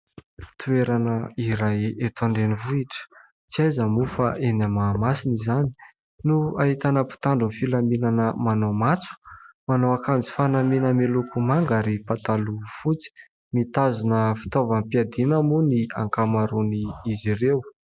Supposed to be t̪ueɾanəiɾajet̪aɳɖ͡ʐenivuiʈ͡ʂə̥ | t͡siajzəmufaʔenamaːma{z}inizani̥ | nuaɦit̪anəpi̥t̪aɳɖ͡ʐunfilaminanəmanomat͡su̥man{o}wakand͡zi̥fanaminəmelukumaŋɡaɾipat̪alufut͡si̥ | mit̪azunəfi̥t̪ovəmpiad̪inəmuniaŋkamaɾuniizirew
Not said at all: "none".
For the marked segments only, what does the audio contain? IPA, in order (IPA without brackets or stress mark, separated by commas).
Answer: s, o